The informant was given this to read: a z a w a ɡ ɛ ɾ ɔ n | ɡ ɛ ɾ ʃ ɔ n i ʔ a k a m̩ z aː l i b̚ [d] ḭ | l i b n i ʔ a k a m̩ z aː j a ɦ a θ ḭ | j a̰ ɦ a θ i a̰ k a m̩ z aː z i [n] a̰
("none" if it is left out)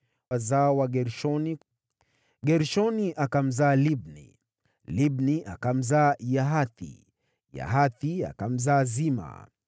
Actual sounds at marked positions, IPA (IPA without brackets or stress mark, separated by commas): n, m